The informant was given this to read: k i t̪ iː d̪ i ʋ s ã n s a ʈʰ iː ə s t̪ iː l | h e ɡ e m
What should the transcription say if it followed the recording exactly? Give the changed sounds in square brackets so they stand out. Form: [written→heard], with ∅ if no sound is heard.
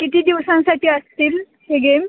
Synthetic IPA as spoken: k i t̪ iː d̪ i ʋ s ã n s a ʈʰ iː ə s t̪ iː l | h e ɡ e m